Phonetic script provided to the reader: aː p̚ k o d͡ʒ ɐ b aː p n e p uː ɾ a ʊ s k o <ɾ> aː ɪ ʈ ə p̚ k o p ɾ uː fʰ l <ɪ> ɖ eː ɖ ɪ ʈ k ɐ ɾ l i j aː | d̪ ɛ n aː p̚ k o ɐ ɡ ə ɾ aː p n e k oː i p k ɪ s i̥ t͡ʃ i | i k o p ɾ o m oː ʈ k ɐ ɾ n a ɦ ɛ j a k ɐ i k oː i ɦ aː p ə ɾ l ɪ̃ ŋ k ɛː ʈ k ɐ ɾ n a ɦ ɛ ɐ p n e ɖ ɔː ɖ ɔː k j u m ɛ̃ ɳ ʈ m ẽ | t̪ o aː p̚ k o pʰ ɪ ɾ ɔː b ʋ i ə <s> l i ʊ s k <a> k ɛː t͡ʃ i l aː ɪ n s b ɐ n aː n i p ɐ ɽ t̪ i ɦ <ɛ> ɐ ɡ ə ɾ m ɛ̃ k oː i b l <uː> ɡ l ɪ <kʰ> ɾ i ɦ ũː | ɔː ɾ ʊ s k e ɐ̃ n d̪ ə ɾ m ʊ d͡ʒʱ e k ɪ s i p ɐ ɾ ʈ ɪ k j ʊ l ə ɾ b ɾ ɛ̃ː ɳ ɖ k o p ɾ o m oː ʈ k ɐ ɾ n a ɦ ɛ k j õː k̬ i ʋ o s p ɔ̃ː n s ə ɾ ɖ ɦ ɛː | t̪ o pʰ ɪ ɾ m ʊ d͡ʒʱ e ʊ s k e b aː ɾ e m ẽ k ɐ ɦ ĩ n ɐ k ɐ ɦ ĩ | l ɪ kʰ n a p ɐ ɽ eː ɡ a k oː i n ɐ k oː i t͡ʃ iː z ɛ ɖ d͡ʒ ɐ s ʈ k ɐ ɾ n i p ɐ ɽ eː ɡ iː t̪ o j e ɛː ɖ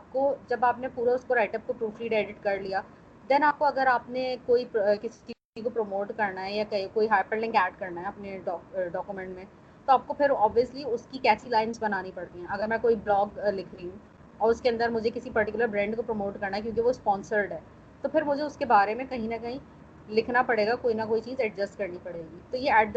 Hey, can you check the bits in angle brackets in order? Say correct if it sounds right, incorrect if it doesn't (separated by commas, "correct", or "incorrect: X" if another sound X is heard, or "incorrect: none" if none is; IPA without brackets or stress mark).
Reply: correct, incorrect: i, correct, incorrect: i, incorrect: ɛ̃, incorrect: ɔː, correct